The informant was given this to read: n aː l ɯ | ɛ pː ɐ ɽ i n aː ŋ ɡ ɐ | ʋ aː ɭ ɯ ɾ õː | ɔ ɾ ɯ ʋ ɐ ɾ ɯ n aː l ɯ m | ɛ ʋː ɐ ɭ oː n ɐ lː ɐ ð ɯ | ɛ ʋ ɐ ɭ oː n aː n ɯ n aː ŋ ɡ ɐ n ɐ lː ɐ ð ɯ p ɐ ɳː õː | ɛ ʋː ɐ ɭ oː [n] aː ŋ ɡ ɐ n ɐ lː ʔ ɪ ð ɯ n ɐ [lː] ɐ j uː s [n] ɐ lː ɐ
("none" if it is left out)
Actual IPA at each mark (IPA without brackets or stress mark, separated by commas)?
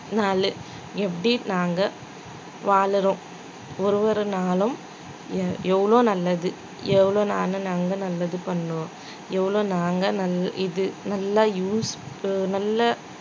n, lː, n